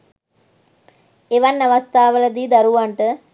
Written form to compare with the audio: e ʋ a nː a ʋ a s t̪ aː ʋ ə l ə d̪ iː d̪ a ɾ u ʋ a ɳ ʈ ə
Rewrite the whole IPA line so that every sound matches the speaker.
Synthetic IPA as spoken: e ʋ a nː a ʋ a s t̪ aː ʋ ə l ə d̪ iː d̪ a ɾ u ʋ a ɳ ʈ ə